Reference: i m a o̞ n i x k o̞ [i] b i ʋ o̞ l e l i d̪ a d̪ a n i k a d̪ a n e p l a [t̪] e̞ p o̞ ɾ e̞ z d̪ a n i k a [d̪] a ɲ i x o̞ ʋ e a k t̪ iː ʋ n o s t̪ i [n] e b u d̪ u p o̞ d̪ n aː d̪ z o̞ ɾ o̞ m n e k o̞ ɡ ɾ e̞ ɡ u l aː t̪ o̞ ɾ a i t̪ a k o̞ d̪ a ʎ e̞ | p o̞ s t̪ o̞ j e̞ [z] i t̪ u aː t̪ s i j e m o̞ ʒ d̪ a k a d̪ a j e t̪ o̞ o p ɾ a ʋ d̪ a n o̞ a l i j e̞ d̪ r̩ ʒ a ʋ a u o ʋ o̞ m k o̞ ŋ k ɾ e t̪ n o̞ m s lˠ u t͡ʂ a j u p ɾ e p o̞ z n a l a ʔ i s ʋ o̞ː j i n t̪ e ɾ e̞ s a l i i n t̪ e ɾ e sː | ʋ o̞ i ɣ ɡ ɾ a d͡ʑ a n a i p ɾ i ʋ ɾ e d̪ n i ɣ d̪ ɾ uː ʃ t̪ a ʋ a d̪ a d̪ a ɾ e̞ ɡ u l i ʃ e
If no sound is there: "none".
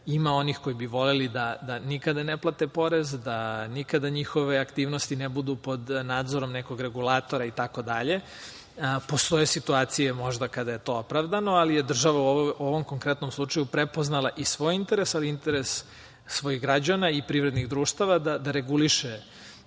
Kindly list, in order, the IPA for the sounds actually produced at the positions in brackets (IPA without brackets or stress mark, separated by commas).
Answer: i, t̪, d̪, n, s